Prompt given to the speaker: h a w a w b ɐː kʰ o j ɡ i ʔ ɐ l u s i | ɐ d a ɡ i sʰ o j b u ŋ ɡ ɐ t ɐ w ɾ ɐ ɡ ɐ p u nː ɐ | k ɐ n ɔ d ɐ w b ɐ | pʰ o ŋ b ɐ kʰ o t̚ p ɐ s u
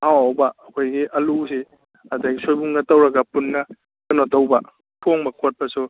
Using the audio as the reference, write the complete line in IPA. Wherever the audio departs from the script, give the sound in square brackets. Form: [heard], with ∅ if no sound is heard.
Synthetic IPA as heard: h a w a w b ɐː kʰ o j ɡ i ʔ ɐ l u s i | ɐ d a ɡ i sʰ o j b u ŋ ɡ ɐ t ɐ w ɾ ɐ ɡ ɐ p u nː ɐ | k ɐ n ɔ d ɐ w b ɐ | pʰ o ŋ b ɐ kʰ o t̚ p ɐ s u